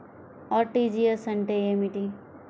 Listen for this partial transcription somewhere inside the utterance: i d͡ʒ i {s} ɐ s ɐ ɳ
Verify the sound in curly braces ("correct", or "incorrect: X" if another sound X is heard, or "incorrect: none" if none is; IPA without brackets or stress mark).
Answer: incorrect: none